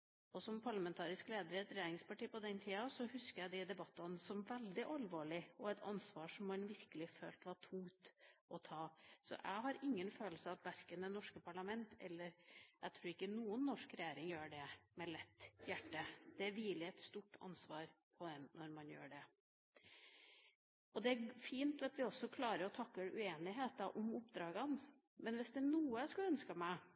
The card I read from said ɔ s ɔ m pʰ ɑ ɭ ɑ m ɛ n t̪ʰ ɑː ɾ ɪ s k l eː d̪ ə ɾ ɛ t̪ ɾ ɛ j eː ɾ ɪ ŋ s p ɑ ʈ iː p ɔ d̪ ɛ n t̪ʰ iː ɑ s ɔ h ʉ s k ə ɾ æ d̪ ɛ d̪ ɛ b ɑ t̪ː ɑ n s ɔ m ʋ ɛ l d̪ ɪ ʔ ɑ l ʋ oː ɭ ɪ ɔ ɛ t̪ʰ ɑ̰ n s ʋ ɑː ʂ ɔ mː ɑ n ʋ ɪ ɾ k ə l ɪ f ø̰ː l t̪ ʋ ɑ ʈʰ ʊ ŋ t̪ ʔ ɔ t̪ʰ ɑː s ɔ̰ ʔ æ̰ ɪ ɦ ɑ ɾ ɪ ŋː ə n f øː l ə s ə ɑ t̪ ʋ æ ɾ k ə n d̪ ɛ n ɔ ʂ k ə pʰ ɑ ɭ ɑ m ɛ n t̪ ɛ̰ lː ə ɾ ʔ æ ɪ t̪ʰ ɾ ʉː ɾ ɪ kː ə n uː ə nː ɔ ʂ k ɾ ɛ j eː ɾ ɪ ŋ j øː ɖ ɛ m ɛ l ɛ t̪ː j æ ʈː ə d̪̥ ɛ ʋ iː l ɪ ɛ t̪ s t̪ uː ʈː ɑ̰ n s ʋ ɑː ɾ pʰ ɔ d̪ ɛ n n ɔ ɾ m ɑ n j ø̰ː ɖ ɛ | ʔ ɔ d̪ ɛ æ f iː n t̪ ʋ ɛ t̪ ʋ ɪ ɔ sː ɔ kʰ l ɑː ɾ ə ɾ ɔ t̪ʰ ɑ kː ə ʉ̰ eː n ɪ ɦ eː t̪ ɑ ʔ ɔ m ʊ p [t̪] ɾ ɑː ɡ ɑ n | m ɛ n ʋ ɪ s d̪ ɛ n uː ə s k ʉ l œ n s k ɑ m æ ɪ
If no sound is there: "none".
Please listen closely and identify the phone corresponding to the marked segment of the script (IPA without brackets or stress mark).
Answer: d̪